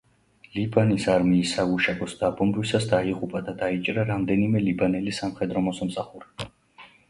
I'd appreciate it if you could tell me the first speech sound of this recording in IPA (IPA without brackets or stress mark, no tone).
l